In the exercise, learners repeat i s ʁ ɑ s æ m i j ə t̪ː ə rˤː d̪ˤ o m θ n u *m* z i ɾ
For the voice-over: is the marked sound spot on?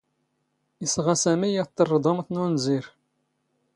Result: no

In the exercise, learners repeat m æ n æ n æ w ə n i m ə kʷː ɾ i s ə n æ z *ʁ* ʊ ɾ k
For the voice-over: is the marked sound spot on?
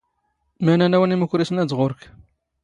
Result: yes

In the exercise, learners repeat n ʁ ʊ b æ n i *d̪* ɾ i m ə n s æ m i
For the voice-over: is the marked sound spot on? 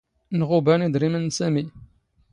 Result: yes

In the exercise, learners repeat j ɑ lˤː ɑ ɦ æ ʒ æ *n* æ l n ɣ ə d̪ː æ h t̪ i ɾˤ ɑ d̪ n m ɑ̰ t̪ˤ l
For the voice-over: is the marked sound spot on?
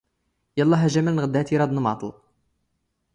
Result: no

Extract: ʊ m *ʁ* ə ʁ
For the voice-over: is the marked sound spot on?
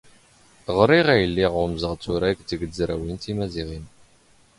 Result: no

